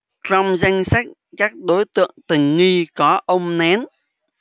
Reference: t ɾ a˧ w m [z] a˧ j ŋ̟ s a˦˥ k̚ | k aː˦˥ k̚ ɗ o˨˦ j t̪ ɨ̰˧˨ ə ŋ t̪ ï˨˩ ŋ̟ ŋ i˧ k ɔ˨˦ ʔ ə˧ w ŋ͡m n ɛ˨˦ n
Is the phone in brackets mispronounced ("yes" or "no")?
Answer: no